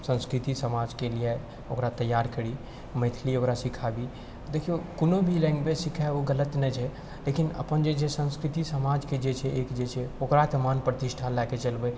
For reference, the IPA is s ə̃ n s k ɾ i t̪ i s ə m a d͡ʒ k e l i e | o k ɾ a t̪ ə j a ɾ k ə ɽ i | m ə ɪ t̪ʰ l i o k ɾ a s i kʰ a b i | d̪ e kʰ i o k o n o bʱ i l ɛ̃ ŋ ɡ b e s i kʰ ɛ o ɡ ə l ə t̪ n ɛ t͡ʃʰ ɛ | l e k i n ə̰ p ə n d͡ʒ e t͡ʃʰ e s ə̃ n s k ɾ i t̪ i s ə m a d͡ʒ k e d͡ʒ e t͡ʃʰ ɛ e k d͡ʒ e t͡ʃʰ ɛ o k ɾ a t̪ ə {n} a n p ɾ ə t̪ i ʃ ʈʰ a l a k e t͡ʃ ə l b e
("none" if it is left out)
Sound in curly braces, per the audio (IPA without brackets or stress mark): m